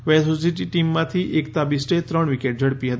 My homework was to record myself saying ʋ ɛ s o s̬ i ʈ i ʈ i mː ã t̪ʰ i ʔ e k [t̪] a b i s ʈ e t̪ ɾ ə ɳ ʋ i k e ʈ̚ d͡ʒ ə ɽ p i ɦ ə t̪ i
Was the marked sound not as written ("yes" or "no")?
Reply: no